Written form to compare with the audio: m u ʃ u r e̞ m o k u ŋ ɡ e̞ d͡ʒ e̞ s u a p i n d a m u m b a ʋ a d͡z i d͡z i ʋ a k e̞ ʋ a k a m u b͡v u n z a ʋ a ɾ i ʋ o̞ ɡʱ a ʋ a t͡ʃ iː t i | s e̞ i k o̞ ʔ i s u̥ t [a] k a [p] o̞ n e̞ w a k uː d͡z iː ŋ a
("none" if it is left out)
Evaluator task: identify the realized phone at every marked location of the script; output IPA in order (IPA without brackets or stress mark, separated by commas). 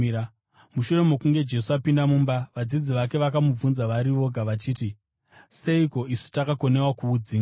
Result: a, k